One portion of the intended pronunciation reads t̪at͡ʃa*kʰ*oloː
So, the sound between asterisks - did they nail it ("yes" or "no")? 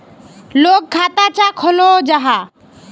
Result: yes